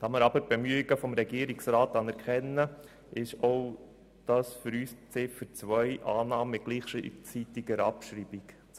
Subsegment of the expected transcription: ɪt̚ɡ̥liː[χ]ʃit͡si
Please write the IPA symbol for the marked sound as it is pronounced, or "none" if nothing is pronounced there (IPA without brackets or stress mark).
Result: χ